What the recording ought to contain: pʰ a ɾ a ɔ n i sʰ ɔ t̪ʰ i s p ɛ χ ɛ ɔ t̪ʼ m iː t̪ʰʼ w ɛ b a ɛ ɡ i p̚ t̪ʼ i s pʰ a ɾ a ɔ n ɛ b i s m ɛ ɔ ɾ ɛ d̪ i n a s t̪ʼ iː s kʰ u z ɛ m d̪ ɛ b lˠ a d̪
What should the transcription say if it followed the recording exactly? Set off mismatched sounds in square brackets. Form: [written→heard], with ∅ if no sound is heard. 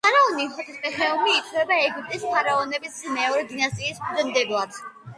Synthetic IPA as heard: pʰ a ɾ a ɔ n i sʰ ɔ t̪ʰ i s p ɛ χ ɛ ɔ [t̪ʼ→∅] m iː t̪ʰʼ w ɛ b a ɛ ɡ i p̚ t̪ʼ i s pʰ a ɾ a ɔ n ɛ b i s m ɛ ɔ ɾ ɛ d̪ i n a s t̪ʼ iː s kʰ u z ɛ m d̪ ɛ b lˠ a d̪